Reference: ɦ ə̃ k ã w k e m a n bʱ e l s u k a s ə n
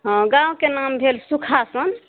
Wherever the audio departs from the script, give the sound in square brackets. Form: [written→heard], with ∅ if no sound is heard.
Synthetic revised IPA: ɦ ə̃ [k→ɡ] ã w k e [m→n] a [n→m] bʱ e l s u [k→kʰ] a s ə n